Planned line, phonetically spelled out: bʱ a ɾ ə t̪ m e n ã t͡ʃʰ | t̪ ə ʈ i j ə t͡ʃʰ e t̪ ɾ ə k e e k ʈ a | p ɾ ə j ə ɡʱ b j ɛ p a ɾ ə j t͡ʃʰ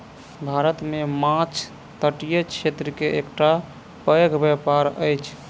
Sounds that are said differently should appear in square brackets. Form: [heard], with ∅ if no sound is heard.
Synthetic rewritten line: bʱ a ɾ ə t̪ m e [m] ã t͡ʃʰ | t̪ ə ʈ i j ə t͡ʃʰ e t̪ ɾ ə k e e k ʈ a | p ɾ ə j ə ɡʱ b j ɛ p a ɾ ə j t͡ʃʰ

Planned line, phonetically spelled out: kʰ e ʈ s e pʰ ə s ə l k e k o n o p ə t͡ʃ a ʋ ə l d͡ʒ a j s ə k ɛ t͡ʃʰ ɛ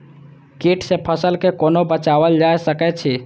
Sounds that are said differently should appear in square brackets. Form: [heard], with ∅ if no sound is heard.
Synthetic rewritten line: [k] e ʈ s e pʰ ə s ə l k e k o n o [b] ə t͡ʃ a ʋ ə l d͡ʒ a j s ə k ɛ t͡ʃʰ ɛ

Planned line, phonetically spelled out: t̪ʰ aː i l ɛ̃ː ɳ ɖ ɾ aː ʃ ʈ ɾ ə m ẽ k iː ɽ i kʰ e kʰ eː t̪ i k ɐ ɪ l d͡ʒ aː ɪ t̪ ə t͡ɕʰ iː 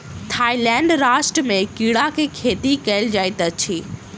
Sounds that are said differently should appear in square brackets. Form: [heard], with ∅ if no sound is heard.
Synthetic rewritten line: t̪ʰ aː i l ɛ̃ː ɳ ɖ ɾ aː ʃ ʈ ɾ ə m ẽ k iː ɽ [a] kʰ e kʰ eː t̪ i k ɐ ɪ l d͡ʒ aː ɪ t̪ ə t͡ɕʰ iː

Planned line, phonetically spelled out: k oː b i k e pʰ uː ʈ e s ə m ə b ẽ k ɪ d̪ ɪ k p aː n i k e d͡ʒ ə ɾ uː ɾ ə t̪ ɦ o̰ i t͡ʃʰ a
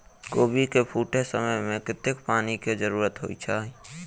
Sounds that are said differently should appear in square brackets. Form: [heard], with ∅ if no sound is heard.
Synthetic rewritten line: k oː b i k e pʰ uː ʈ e s ə m ə [m] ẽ k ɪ [t̪] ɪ k p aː n i k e d͡ʒ ə ɾ uː ɾ ə t̪ ɦ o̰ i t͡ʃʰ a

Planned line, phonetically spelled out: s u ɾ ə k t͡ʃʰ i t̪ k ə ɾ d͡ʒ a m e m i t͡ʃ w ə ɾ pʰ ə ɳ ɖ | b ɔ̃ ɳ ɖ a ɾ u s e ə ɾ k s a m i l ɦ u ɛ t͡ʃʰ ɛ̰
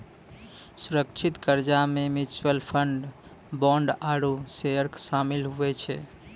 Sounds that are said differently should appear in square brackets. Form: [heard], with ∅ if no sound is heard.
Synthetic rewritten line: s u ɾ ə k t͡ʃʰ i t̪ k ə ɾ d͡ʒ a m e m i t͡ʃ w ə [l] pʰ ə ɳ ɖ | b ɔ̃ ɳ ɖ a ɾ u s e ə ɾ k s a m i l ɦ u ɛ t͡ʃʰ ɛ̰

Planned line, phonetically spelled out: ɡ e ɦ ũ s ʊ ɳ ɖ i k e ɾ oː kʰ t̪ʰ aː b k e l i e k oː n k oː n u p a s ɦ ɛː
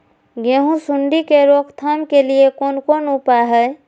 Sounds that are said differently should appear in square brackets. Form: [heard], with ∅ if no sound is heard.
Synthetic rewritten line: ɡ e ɦ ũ s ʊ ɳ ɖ i k e ɾ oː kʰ t̪ʰ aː [m] k e l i e k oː n k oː n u p a [∅] ɦ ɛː

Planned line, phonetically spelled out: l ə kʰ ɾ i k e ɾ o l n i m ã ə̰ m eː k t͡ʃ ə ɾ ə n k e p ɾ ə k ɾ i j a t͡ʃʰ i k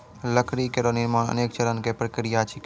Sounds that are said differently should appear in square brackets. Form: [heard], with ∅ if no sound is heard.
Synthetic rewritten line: l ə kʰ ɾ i k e ɾ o [∅] n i m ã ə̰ [n] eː k t͡ʃ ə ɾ ə n k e p ɾ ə k ɾ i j a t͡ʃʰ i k

